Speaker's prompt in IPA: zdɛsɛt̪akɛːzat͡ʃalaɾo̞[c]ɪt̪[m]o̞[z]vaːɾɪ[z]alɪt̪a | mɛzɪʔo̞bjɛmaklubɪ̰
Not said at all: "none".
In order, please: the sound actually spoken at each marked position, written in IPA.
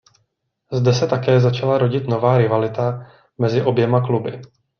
ɟ, n, none, v

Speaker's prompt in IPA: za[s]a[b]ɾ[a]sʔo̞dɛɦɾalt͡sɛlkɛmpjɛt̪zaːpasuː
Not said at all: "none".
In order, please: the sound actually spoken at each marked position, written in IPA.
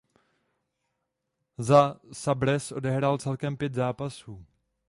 s, b, ɛ

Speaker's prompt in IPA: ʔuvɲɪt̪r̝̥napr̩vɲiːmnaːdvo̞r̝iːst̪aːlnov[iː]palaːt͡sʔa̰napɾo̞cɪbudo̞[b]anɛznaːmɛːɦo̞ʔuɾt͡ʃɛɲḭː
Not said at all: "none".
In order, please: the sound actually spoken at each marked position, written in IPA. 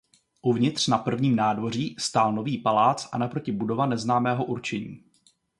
iː, v

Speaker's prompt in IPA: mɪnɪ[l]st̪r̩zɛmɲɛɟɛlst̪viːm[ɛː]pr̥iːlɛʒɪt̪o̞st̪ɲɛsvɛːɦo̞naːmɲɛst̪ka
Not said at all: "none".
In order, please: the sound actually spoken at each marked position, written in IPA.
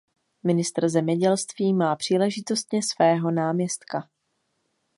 none, aː

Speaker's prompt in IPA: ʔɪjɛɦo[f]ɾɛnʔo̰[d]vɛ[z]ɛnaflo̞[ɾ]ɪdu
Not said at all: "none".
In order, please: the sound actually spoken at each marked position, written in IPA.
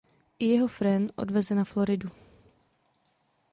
f, d, z, ɾ

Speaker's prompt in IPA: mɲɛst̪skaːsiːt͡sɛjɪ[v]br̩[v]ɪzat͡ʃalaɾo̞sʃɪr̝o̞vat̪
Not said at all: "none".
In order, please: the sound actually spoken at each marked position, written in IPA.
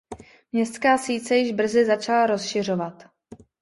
ʒ, z

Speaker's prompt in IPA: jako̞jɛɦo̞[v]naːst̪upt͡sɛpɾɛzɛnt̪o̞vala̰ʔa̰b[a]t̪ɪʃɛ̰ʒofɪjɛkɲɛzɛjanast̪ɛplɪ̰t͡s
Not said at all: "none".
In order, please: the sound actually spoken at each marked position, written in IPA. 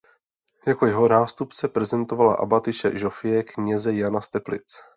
none, a

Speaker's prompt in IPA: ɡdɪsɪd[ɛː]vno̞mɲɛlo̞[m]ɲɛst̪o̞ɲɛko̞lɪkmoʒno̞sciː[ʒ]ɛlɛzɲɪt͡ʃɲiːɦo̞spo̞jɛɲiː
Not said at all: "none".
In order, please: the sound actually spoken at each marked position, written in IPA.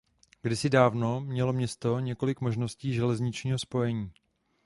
aː, m, ʒ

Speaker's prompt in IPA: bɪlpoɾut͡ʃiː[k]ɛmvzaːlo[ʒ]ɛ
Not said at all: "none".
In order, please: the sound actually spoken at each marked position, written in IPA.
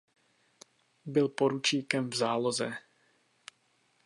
k, z

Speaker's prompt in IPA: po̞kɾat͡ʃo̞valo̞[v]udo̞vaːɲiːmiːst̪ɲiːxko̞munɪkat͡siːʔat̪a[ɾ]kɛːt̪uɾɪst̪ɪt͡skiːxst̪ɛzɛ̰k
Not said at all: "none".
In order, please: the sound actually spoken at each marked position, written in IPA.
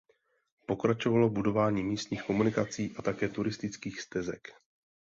b, none

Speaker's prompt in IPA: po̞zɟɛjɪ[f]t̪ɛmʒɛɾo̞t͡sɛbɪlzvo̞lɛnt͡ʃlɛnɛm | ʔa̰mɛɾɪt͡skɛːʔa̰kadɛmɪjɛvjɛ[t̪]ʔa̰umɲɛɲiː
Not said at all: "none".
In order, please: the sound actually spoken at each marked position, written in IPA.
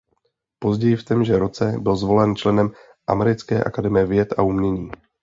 f, t̪

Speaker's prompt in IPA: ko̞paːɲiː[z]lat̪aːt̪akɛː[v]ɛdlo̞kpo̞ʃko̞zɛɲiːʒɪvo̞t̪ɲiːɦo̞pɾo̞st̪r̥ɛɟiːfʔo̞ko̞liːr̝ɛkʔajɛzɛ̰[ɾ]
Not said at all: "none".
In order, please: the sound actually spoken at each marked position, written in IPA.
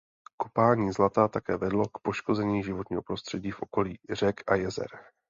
z, v, ɾ

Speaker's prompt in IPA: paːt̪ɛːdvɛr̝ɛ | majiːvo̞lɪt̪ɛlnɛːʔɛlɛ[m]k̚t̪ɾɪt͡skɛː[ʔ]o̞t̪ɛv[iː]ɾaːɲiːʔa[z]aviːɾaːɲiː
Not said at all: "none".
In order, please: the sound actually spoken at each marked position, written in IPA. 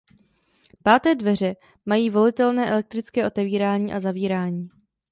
none, ʔ, iː, z

